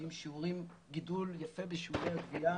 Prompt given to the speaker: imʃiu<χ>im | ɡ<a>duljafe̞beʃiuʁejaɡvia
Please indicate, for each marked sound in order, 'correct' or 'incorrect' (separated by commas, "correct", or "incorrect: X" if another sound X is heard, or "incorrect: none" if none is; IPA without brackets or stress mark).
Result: incorrect: ʁ, incorrect: i